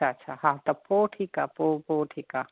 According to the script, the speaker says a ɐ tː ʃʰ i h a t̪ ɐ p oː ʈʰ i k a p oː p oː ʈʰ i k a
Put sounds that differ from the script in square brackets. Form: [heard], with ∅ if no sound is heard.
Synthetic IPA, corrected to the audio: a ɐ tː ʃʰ [a] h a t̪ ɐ p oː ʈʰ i k a p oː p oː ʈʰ i k a